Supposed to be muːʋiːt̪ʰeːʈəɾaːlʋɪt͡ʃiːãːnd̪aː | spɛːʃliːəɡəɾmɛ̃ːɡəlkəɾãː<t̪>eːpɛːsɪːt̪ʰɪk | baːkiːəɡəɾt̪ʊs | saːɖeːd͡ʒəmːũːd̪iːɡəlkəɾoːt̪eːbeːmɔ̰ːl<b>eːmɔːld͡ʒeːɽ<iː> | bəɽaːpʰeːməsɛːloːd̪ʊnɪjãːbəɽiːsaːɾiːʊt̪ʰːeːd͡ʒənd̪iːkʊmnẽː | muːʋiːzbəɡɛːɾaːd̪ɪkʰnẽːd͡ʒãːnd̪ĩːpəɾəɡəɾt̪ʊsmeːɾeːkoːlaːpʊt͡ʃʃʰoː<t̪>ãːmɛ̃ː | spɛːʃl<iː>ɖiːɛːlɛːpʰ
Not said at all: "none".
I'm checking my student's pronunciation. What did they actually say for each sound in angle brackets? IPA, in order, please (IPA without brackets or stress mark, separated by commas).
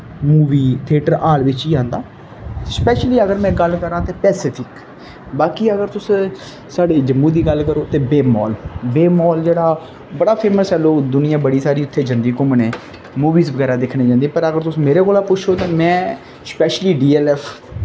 t̪, b, aː, t̪, iː